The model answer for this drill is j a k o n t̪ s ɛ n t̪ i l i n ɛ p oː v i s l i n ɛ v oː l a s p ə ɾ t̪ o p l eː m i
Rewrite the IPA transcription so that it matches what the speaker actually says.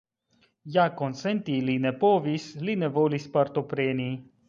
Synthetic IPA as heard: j a k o n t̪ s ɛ n t̪ i l i n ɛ p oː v i s l i n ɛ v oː l i s p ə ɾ t̪ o p ɾ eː n i